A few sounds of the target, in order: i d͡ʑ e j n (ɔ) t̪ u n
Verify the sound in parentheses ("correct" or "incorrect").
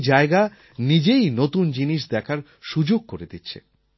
incorrect